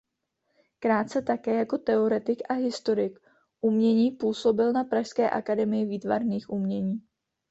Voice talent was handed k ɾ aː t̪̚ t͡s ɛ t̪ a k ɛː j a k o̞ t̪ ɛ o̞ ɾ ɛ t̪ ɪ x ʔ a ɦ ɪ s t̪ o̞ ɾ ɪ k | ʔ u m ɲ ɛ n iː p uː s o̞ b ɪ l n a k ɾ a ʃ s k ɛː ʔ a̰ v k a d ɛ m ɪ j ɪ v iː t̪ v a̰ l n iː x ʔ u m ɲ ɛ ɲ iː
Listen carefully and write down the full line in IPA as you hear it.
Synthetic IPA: k ɾ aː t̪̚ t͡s ɛ t̪ a k ɛː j a k o̞ t̪ ɛ o̞ ɾ ɛ t̪ ɪ k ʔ a ɦ ɪ s t̪ o̞ ɾ ɪ k | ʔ u m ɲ ɛ ɲ iː p uː s o̞ b ɪ l n a p ɾ a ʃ s k ɛː ʔ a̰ k a d ɛ m ɪ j ɪ v iː t̪ v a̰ ɾ n iː x ʔ u m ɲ ɛ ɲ iː